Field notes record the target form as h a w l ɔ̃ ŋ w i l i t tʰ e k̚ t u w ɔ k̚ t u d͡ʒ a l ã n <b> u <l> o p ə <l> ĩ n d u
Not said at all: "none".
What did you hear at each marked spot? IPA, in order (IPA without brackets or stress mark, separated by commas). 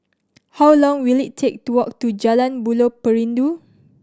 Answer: b, l, ɹ